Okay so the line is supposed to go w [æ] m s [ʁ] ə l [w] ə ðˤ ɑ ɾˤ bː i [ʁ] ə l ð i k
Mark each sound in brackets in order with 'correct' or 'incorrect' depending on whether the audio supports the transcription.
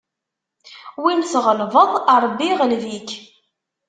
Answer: incorrect, correct, incorrect, correct

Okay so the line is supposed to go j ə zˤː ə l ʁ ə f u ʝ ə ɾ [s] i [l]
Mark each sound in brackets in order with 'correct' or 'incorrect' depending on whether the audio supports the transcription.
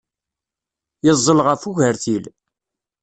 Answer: incorrect, correct

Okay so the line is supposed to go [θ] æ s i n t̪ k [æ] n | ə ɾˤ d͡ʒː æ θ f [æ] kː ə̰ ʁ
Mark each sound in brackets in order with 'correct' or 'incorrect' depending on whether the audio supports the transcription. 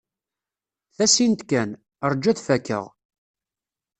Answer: correct, correct, correct

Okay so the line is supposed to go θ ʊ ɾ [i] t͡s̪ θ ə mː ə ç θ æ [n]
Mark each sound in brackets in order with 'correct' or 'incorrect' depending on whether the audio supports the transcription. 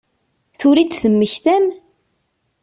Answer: correct, incorrect

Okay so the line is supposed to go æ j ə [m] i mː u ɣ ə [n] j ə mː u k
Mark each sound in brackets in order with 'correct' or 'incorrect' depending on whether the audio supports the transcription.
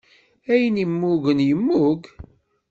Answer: incorrect, correct

